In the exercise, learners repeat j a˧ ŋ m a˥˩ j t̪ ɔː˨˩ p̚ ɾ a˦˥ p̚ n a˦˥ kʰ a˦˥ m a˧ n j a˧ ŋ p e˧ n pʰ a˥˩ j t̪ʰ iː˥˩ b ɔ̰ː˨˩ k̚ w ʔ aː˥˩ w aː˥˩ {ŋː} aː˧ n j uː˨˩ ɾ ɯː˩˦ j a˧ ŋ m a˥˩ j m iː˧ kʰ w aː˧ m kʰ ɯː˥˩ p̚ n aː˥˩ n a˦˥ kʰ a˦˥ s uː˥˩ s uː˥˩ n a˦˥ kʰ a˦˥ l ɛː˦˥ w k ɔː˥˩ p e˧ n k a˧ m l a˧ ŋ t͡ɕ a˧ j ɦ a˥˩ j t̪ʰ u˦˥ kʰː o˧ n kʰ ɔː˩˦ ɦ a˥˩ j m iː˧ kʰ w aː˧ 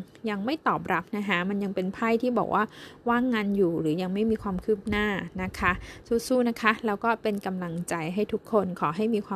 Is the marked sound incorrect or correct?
correct